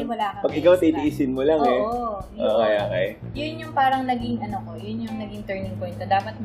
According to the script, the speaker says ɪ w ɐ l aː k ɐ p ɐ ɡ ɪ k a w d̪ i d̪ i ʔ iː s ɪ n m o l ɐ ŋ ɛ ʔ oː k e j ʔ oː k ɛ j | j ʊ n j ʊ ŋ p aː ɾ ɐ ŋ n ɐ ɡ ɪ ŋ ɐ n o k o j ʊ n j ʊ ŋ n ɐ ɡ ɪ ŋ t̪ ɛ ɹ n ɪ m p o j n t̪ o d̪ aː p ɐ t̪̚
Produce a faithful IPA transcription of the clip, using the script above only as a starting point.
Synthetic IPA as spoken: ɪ w ɐ l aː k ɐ p ɐ ɡ ɪ k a w t̪ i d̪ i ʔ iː s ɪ n m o l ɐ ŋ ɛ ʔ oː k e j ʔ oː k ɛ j | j ʊ n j ʊ ŋ p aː ɾ ɐ ŋ n ɐ ɡ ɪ ŋ ɐ n o k o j ʊ n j ʊ ŋ n ɐ ɡ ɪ ŋ t̪ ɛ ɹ n ɪ ŋ p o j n t̪ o d̪ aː p ɐ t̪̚